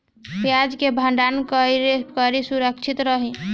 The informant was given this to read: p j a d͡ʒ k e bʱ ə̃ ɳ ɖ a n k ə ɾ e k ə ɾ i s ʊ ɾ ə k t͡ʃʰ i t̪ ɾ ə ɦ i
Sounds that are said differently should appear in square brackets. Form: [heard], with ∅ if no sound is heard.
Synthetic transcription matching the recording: p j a d͡ʒ k e bʱ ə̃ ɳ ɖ a n k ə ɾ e k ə ɾ i s [u] ɾ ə k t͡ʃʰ i t̪ ɾ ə ɦ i